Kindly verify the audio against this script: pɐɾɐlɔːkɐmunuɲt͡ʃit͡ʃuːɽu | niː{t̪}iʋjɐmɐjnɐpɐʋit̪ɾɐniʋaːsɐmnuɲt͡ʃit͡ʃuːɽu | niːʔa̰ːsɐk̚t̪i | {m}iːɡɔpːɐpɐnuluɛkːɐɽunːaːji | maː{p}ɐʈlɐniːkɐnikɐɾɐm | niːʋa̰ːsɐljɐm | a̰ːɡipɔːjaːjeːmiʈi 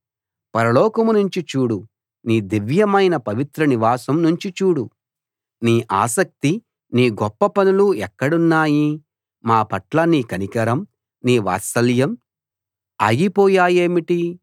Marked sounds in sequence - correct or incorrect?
incorrect: d̪, incorrect: n, correct

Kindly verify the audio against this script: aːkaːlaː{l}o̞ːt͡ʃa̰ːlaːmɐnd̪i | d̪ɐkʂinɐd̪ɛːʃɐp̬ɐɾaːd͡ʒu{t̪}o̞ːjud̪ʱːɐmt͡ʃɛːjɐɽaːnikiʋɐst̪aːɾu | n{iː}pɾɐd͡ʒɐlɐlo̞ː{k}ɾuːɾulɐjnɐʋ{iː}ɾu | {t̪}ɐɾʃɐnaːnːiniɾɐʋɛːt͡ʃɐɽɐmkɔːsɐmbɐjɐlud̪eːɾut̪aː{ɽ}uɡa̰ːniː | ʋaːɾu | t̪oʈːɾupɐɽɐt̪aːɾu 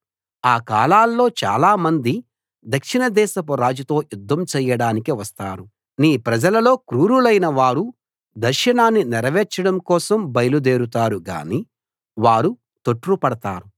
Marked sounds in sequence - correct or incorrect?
incorrect: lː, correct, correct, correct, incorrect: aː, incorrect: d̪, incorrect: ɾ

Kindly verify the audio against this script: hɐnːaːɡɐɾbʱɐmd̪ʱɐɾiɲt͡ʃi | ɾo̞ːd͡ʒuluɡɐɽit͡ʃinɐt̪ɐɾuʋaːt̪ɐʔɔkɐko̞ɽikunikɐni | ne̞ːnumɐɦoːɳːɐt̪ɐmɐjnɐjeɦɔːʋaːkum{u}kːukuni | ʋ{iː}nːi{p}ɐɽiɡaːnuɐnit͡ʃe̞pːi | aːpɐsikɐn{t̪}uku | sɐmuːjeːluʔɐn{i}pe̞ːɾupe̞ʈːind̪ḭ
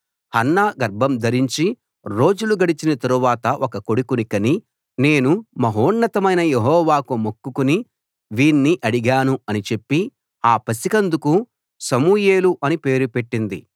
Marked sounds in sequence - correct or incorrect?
incorrect: o, correct, incorrect: ʔ, incorrect: d̪, correct

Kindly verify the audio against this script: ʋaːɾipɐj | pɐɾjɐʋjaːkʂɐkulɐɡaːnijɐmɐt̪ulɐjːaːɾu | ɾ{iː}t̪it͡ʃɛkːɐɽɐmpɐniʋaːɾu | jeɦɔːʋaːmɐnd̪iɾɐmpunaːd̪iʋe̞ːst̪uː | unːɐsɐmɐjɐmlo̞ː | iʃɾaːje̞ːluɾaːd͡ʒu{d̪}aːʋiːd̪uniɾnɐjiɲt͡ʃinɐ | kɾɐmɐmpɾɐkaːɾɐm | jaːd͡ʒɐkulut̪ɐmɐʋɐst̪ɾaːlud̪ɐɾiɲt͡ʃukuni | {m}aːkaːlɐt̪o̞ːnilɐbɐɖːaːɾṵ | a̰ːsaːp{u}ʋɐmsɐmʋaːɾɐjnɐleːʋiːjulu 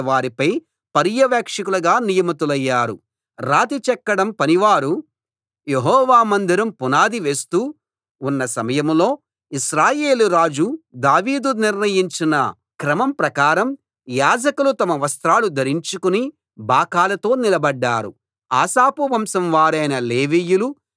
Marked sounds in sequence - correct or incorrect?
incorrect: aː, correct, incorrect: b, correct

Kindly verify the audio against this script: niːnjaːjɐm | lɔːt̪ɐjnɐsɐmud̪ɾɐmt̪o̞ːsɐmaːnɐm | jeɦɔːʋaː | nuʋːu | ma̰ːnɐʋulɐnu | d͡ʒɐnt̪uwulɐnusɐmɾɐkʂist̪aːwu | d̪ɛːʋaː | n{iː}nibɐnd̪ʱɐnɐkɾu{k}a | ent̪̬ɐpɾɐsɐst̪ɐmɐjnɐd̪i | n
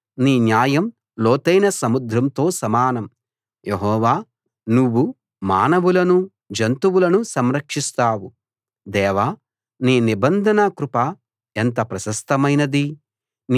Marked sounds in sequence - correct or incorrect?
correct, incorrect: p

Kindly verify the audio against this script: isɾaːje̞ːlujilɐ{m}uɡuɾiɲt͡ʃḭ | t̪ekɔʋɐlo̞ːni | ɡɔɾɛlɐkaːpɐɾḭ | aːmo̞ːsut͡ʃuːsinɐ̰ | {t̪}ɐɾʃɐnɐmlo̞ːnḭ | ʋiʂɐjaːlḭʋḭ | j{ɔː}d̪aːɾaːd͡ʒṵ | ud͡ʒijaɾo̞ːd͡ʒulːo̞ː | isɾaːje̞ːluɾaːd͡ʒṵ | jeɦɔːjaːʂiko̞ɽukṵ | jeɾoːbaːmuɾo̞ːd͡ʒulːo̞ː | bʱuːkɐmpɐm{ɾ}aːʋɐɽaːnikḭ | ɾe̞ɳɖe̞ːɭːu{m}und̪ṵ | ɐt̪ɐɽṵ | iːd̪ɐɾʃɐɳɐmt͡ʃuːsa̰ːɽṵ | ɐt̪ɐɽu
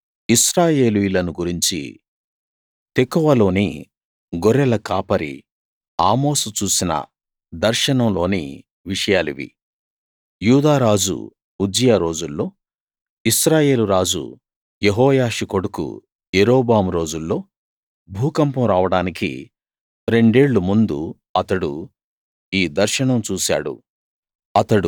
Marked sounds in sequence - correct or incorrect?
incorrect: n, incorrect: d̪, incorrect: uː, correct, correct

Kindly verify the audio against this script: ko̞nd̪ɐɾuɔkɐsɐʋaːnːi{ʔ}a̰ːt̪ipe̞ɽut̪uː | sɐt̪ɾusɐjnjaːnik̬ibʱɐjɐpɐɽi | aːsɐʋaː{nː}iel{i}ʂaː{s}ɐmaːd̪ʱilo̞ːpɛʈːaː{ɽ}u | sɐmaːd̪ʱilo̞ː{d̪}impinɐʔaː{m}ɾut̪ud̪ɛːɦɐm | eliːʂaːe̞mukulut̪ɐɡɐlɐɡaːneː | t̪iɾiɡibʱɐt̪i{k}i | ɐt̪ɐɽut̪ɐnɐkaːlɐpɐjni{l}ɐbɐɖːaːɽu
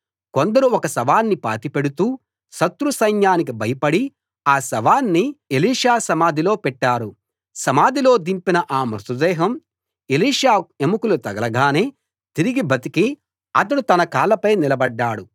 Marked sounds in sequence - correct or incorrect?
incorrect: p, correct, incorrect: iː, correct, incorrect: ɾ, correct, correct, correct, correct

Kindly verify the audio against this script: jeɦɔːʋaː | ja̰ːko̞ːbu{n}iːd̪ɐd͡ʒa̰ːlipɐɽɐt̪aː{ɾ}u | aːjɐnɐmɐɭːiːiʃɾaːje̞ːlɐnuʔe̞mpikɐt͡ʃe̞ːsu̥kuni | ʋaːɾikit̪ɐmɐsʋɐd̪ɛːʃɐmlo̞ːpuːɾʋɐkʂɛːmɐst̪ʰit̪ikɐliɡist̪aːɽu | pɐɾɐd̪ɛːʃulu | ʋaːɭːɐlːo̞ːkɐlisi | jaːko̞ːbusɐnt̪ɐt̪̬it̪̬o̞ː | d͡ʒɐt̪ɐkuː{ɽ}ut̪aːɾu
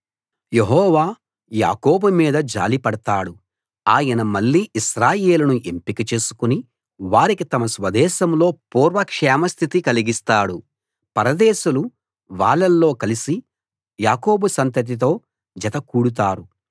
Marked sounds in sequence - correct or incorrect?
incorrect: m, incorrect: ɽ, correct

